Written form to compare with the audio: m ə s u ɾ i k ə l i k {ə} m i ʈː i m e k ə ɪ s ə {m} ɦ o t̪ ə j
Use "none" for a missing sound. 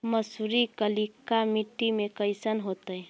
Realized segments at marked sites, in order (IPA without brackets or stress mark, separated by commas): a, n